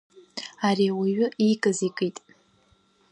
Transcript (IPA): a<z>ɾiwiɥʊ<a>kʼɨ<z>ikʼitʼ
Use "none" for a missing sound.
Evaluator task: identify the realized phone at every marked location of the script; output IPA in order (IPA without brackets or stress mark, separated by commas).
none, i, z